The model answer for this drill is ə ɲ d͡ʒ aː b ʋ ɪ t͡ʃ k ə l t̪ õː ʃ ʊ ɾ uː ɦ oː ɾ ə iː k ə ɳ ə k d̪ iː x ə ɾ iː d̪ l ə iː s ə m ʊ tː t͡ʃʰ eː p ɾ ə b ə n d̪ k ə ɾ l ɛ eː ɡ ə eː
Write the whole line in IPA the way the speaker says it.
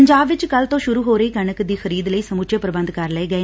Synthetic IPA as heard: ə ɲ d͡ʒ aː b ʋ ɪ t͡ʃ k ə l t̪ õː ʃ ʊ ɾ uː ɦ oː ɾ ə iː k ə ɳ ə k d̪ iː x ə ɾ iː d̪ l ə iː s ə m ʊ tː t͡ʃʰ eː p ɾ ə b ə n d̪ k ə ɾ l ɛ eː ɡ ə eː